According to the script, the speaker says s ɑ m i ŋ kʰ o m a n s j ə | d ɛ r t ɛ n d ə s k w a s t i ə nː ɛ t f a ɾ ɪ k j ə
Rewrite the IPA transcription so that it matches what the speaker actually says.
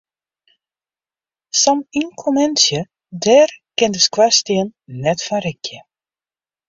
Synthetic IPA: s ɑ m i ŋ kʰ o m ɛ n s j ə | d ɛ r k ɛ n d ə s k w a s t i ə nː ɛ t f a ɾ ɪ k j ə